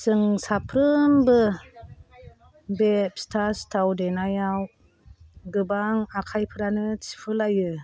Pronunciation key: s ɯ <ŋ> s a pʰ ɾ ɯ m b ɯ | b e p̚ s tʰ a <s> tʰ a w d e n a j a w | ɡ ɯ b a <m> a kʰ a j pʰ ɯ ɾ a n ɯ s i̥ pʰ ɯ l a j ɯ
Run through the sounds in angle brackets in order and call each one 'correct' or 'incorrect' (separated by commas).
correct, correct, incorrect